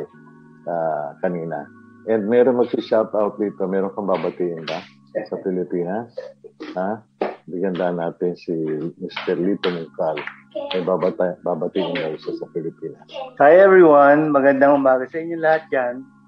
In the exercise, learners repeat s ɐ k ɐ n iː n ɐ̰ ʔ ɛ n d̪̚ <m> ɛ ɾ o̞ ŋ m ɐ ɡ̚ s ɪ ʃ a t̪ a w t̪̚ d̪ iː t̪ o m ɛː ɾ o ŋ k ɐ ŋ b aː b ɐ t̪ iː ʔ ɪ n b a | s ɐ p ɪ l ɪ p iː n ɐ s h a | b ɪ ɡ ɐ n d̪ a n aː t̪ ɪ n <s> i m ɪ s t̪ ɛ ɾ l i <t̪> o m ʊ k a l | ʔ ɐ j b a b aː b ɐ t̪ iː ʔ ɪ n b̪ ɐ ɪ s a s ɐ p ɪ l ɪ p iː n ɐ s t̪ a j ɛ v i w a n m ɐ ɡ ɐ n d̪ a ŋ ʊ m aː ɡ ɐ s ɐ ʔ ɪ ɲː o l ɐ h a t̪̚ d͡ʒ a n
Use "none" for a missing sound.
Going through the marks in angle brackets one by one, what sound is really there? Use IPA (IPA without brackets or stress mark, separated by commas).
m, s, t̪